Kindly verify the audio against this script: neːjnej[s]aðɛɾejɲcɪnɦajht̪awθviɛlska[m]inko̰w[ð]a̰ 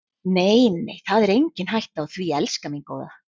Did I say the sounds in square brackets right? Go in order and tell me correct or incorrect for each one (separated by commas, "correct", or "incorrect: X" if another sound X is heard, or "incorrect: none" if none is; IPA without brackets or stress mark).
incorrect: θ, correct, correct